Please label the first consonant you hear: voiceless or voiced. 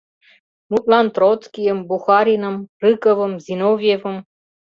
voiced